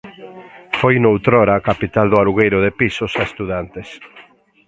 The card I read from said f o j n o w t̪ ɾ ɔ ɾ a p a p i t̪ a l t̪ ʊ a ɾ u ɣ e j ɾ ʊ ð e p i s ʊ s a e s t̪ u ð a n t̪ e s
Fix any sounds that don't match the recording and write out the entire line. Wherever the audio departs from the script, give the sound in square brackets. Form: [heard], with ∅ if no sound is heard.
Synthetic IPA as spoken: f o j n o w t̪ ɾ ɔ ɾ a [k] a p i t̪ a l [d̪] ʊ a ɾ u ɣ e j ɾ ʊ ð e p i s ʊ s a e s t̪ u ð a n t̪ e s